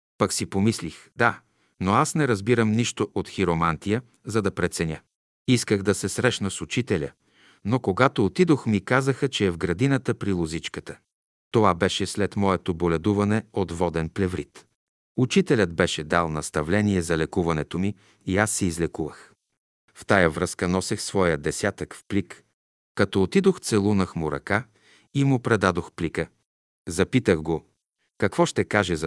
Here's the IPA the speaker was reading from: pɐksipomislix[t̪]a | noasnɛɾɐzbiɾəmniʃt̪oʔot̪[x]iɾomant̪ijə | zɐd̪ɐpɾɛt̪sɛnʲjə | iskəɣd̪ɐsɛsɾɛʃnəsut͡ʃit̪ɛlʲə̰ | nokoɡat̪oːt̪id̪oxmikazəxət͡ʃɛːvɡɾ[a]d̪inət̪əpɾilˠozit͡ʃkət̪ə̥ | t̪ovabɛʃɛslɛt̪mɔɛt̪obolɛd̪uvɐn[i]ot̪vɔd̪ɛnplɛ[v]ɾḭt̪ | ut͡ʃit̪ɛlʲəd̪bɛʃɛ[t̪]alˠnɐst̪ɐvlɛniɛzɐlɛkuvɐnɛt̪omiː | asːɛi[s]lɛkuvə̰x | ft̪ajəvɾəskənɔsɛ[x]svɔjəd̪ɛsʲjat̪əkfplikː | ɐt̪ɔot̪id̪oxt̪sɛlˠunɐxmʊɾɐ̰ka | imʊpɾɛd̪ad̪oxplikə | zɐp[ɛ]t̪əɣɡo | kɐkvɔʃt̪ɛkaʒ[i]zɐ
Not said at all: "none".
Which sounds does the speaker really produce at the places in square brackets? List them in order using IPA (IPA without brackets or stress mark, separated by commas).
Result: d̪, x, ɐ, ɛ, v, d̪, z, x, i, ɛ